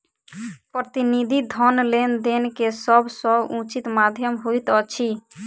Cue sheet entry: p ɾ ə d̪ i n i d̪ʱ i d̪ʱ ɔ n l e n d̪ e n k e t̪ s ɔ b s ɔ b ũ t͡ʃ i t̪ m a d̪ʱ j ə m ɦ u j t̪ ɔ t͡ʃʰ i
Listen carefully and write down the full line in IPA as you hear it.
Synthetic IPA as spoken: p ɾ ə t̪ i n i d̪ʱ i d̪ʱ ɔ n l e n d̪ e n k e s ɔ b s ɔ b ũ t͡ʃ i t̪ m a d̪ʱ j ə m ɦ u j t̪ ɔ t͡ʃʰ i